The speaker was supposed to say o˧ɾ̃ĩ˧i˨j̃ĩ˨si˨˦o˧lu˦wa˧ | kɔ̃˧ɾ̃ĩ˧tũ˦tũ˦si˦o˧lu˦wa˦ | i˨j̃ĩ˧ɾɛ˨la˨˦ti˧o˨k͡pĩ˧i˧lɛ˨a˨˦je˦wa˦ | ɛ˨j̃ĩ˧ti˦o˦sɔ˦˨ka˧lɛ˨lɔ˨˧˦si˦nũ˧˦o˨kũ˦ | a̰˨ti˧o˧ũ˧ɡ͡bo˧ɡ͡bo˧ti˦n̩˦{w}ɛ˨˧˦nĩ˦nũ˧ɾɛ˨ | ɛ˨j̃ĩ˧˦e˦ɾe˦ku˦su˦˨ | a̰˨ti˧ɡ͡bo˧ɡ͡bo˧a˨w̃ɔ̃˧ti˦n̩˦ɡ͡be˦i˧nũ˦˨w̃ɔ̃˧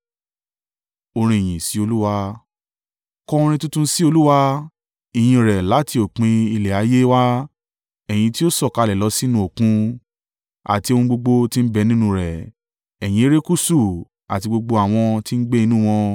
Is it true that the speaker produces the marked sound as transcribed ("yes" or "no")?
no